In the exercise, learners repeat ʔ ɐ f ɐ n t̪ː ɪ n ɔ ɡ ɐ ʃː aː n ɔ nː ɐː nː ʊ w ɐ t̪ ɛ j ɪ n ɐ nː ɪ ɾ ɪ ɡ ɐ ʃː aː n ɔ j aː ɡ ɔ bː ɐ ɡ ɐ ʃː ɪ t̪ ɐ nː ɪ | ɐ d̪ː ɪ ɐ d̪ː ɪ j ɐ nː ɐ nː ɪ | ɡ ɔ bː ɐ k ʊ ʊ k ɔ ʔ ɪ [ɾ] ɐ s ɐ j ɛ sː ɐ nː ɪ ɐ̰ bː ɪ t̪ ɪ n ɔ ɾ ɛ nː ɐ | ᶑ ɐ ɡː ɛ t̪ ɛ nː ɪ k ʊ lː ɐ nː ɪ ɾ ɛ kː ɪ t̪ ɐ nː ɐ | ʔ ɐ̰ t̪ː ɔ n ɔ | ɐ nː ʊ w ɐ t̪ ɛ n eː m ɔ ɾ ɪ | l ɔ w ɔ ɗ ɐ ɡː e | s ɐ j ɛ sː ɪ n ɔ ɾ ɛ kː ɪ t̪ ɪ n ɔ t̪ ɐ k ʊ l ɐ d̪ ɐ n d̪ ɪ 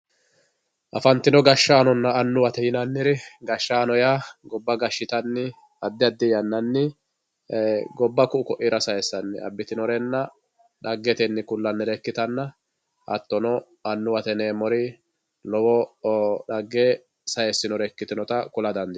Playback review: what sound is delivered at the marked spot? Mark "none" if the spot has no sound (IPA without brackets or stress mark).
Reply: ɾ